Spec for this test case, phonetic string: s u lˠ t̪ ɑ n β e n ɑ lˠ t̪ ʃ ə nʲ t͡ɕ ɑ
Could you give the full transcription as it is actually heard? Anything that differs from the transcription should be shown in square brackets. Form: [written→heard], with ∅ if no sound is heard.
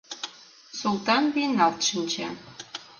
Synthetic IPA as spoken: s u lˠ t̪ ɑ n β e n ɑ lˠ t̪ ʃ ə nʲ t͡ɕ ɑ